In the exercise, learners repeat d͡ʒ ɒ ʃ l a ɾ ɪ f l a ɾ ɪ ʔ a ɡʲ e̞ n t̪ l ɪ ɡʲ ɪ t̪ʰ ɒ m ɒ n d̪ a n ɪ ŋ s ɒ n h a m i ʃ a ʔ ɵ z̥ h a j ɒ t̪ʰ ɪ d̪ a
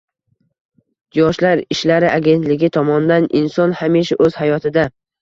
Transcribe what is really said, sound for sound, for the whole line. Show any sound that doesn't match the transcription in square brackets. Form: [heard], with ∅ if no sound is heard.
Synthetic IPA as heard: d͡ʒ ɒ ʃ l a ɾ ɪ [ʃ] l a ɾ ɪ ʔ a ɡʲ e̞ n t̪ l ɪ ɡʲ ɪ t̪ʰ ɒ m ɒ n d̪ a n ɪ [n] s ɒ n h a m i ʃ a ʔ ɵ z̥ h a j ɒ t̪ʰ ɪ d̪ a